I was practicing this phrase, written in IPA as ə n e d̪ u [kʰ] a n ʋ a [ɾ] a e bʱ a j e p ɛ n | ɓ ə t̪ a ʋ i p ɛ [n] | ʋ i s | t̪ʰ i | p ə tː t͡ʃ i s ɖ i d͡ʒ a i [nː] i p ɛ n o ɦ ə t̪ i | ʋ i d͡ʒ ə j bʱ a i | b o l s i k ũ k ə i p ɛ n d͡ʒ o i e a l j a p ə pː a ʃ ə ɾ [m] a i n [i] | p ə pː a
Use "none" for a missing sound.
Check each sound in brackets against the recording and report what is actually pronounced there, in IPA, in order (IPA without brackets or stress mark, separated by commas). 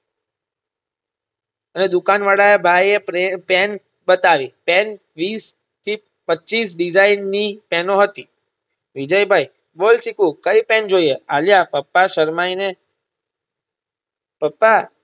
k, ɽ, n, nː, m, e